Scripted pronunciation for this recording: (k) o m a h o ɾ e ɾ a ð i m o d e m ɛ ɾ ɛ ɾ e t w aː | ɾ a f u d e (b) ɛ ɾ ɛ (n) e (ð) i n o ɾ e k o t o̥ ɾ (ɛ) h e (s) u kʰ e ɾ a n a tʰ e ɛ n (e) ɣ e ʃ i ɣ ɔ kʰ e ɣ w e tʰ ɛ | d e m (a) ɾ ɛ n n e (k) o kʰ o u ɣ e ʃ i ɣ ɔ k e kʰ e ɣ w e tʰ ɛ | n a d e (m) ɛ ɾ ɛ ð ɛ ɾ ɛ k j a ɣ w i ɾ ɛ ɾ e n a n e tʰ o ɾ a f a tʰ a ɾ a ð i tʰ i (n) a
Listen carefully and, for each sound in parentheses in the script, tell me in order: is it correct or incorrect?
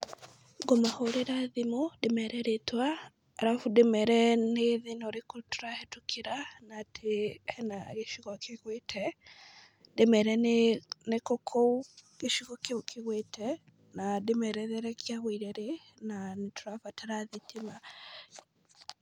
incorrect, incorrect, correct, correct, incorrect, incorrect, incorrect, incorrect, correct, correct, incorrect

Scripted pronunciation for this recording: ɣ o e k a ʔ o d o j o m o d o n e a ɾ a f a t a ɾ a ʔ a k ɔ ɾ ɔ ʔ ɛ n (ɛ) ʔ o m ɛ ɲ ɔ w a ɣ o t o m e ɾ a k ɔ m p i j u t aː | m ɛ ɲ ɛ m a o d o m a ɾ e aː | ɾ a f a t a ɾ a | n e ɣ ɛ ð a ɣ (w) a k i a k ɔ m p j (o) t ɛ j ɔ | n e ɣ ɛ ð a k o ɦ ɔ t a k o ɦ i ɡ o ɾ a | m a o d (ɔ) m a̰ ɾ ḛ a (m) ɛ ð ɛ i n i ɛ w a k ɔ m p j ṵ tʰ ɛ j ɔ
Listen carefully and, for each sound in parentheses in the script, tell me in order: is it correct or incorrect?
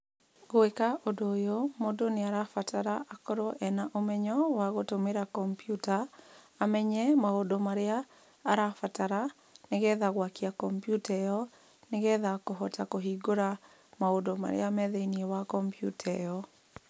incorrect, correct, incorrect, incorrect, correct

